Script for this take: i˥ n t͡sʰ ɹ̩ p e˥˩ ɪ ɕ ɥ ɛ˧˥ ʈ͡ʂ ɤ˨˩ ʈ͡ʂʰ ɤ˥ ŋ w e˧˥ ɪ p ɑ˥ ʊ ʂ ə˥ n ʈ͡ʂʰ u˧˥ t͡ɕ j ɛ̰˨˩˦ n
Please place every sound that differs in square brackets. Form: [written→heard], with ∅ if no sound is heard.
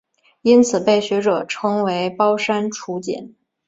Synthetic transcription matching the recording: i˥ n t͡sʰ ɹ̩ p e˥˩ ɪ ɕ ɥ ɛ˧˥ ʈ͡ʂ ɤ˨˩ ʈ͡ʂʰ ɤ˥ ŋ w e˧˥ ɪ p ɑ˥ ʊ ʂ [ə˥→a˥] n ʈ͡ʂʰ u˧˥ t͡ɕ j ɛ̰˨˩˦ n